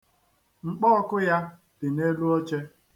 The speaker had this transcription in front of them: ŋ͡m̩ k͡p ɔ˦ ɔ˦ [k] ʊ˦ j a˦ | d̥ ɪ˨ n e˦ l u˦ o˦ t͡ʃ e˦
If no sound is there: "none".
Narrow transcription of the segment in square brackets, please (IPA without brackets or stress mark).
k